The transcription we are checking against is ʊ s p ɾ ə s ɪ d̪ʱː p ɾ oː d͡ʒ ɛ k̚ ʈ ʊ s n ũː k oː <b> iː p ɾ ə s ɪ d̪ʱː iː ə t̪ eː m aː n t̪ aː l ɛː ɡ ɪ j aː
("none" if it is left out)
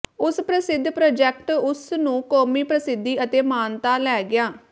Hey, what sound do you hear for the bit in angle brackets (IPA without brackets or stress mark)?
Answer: m